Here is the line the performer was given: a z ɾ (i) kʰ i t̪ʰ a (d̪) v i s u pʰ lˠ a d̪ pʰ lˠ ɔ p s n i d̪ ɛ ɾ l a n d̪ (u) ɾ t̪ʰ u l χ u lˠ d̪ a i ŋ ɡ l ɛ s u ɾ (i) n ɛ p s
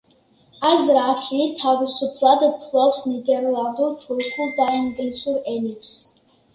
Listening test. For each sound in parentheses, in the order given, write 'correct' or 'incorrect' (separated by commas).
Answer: incorrect, incorrect, correct, incorrect